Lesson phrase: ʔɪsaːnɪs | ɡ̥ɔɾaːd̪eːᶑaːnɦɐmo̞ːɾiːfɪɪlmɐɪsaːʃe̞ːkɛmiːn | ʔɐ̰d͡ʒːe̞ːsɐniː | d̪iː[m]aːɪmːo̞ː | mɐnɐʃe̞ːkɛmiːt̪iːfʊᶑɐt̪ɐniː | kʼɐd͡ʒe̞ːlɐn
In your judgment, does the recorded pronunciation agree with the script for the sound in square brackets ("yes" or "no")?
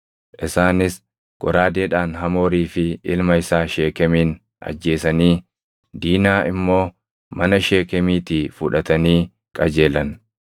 no